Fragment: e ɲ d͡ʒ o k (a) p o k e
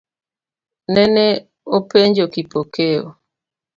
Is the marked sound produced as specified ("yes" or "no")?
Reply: no